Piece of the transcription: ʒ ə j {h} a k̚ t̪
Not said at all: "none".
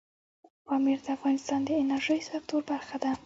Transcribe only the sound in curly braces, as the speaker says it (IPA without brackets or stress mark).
s